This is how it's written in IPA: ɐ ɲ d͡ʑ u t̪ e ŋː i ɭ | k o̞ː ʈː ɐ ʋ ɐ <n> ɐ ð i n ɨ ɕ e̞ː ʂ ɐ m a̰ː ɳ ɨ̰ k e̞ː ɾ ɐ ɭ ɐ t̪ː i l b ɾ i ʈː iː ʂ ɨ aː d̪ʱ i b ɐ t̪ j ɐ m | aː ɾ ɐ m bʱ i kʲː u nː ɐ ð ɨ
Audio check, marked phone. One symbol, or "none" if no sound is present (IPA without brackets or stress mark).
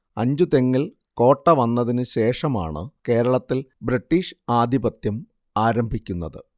nː